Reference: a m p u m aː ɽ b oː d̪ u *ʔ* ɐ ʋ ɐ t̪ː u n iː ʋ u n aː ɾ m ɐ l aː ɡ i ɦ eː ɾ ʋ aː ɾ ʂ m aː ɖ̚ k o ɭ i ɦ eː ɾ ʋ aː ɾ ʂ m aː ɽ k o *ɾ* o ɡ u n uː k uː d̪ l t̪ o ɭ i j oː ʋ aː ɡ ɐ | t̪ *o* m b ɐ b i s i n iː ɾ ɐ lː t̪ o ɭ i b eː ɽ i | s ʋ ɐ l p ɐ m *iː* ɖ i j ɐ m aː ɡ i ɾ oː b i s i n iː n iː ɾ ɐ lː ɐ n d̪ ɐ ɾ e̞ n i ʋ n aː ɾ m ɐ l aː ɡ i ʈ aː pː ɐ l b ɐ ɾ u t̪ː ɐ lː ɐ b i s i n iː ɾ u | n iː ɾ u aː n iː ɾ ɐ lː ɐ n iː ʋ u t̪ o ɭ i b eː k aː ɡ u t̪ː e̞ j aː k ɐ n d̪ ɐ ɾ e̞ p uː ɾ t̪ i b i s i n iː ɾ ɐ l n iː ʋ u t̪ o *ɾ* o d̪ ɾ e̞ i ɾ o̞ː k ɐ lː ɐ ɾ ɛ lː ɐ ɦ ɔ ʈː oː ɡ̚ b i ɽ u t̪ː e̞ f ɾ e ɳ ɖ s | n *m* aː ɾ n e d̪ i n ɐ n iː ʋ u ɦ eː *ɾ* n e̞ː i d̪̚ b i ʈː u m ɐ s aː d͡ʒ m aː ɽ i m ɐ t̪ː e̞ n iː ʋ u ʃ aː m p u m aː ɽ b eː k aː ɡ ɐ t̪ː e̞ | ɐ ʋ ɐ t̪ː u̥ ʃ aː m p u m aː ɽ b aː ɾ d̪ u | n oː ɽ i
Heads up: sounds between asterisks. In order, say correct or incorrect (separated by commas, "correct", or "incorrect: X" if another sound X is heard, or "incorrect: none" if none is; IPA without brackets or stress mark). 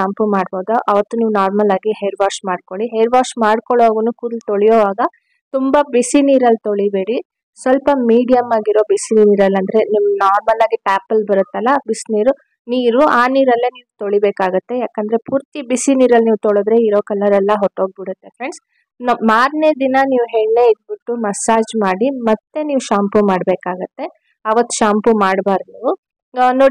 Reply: correct, incorrect: ɭ, incorrect: u, correct, incorrect: ɭ, correct, incorrect: ɭ